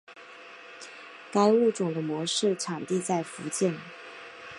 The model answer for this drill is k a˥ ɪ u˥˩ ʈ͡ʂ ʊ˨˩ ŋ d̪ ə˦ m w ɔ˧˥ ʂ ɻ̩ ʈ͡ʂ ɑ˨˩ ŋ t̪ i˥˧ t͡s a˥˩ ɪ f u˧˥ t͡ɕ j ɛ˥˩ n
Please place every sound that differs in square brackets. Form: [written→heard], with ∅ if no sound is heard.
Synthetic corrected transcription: k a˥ ɪ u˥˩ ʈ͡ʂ ʊ˨˩ ŋ d̪ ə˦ m w ɔ˧˥ ʂ ɻ̩ [ʈ͡ʂ→ʈ͡ʂʰ] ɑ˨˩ ŋ t̪ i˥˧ t͡s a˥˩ ɪ f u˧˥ t͡ɕ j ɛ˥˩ n